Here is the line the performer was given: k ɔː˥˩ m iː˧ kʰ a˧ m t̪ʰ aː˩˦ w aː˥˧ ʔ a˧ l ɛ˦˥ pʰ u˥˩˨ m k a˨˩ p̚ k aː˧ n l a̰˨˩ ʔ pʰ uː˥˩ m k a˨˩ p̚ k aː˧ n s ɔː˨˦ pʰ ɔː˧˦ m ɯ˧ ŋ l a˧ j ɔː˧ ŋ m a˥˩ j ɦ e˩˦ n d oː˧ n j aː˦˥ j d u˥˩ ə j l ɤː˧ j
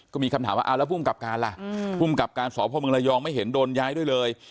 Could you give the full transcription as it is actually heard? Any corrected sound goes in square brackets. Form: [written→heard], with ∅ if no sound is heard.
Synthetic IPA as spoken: k ɔː˥˩ m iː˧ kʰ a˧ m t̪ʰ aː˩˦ w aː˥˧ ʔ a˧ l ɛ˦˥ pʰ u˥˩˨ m k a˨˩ p̚ k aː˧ n l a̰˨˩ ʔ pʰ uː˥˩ m k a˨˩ p̚ k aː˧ n s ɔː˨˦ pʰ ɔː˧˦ m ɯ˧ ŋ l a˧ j ɔː˧ ŋ m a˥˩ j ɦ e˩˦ n d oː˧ n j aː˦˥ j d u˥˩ ə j l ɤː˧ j